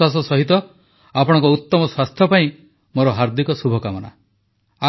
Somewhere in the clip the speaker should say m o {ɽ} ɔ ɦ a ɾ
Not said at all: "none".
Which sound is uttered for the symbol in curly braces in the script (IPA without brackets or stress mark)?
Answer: ɾ